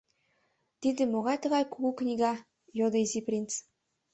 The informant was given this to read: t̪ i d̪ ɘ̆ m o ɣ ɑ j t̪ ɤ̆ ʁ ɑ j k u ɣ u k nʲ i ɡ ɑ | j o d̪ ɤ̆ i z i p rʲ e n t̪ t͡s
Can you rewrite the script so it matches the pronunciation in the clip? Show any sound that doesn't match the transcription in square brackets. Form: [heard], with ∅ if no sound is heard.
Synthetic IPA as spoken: t̪ i d̪ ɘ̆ m o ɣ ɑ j t̪ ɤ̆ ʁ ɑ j k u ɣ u k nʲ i ɡ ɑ | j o d̪ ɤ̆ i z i p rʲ [i] n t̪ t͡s